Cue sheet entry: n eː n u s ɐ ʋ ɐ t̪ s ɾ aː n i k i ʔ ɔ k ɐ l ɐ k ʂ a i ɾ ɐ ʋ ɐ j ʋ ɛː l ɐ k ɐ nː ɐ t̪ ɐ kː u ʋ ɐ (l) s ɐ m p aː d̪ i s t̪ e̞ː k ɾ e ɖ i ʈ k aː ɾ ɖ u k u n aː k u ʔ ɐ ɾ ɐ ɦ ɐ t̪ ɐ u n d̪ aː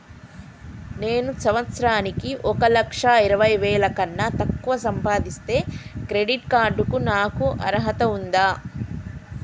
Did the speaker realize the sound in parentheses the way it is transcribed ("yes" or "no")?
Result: no